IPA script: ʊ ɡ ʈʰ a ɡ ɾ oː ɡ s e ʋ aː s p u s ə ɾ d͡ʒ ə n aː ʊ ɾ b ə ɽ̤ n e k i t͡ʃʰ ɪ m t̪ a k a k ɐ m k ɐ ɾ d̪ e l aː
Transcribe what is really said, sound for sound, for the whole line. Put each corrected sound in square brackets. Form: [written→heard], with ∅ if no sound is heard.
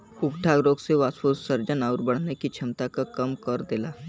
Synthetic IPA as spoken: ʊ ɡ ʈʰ a ɡ ɾ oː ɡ s e ʋ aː s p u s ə ɾ d͡ʒ ə n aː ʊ ɾ b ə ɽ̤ n e k i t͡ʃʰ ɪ m t̪ a k a k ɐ m k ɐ ɾ d̪ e l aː